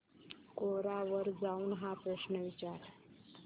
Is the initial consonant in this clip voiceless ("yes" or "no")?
yes